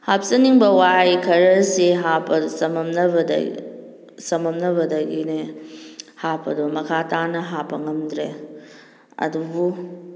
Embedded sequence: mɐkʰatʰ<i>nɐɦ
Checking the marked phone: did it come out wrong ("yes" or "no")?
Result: yes